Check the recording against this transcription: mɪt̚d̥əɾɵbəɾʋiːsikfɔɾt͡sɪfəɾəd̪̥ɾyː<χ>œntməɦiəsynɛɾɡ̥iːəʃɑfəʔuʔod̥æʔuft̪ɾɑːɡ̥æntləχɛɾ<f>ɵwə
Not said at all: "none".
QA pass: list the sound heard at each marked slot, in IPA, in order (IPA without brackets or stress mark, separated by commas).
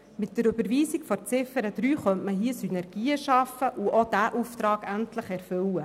χ, f